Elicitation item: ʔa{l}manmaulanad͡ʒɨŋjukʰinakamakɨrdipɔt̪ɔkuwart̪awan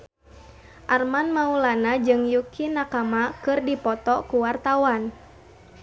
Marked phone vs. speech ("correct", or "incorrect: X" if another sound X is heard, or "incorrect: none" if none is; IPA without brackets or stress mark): incorrect: r